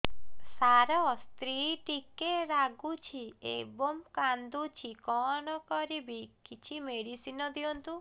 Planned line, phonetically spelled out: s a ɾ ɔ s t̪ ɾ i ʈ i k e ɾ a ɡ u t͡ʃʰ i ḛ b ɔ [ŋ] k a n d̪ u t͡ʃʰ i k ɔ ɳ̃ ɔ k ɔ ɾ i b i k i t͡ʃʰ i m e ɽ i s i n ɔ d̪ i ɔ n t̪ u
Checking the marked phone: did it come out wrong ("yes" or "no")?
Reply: yes